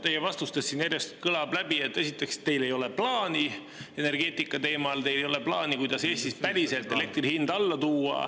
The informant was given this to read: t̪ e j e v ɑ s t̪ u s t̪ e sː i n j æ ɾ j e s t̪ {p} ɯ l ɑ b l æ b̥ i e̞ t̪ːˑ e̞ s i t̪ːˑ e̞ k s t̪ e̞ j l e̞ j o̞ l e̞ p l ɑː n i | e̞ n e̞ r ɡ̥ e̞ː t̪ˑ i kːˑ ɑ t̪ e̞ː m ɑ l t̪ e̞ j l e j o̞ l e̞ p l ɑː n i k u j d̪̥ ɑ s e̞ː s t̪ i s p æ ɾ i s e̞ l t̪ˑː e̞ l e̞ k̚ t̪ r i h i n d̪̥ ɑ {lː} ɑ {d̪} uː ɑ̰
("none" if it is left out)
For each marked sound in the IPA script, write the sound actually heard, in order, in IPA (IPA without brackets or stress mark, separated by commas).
k, lː, t̪